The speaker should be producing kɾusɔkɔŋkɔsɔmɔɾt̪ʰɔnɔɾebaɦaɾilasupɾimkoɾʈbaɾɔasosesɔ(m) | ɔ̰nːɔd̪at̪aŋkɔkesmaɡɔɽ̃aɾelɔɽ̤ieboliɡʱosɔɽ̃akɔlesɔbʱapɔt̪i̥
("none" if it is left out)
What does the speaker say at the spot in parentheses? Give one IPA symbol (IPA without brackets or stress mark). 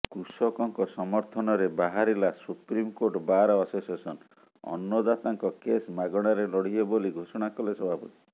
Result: n